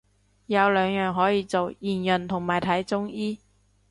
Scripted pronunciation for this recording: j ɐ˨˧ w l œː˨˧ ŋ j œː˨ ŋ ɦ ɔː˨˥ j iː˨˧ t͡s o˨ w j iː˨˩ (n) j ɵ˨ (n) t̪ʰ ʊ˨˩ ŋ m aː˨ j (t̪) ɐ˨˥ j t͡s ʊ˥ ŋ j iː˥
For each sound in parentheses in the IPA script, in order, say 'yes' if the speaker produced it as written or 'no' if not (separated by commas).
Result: yes, yes, no